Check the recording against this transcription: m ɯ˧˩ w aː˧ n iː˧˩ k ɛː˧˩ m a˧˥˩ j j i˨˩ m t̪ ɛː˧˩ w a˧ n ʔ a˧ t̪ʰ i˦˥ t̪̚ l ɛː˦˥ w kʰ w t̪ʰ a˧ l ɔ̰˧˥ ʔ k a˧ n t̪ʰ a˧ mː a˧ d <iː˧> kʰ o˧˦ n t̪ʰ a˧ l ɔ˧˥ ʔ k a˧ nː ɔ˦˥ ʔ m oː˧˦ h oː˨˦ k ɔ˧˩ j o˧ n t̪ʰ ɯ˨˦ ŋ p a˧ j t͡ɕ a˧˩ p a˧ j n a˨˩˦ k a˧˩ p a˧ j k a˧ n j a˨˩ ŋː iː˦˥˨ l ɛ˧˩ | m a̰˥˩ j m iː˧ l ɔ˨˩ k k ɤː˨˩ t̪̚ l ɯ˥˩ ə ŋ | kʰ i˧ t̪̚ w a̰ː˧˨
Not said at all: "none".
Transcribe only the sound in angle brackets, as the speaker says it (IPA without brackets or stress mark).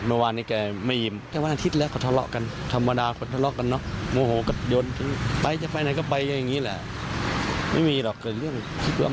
aː˧